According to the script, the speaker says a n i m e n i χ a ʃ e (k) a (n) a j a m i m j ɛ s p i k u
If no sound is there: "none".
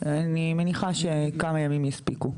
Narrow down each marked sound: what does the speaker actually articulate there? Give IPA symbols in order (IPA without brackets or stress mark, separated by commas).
k, m